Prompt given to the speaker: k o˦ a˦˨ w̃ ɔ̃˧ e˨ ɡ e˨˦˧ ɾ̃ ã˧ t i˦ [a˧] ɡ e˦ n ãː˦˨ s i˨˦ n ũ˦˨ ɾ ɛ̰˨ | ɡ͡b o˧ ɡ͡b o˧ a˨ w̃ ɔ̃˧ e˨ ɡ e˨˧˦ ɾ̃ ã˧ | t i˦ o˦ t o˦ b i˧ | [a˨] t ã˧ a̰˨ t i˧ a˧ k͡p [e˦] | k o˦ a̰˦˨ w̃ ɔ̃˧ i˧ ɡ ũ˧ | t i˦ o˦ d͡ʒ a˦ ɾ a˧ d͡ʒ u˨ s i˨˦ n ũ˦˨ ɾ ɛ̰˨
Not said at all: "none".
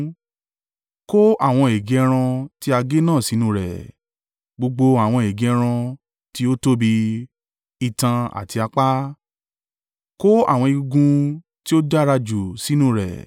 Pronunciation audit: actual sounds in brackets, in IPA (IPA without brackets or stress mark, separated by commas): a˧, i˨, a˦